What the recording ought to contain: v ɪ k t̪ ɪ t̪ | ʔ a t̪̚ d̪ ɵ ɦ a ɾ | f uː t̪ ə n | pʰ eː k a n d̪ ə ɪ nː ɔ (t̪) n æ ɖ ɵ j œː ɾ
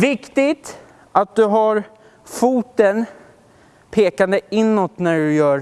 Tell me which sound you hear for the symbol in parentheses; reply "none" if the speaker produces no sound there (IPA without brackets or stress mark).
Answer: t̪